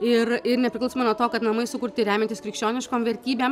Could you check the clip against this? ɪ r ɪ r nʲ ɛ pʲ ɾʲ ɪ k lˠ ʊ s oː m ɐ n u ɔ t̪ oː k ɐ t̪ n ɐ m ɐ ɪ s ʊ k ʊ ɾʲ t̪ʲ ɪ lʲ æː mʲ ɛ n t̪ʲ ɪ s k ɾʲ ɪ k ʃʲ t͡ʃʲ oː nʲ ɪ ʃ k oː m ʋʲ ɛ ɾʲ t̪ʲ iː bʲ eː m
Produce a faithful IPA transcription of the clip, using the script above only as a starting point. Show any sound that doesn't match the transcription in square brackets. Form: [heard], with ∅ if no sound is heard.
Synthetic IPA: ɪ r ɪ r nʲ ɛ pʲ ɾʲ ɪ k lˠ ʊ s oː m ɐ n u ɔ t̪ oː k ɐ t̪ n ɐ m ɐ ɪ s ʊ k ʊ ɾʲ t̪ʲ ɪ [ɾʲ] æː mʲ ɛ n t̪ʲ ɪ s k ɾʲ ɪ k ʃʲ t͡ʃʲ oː nʲ ɪ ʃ k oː m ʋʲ ɛ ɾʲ t̪ʲ iː bʲ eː m